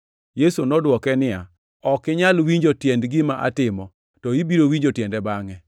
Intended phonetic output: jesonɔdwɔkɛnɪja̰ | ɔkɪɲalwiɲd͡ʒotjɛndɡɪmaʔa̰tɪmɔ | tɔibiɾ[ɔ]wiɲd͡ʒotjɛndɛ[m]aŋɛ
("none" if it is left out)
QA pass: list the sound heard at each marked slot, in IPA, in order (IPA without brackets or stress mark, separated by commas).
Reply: o, b